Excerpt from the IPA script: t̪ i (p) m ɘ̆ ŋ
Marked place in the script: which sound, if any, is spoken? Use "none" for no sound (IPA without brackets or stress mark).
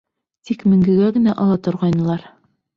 k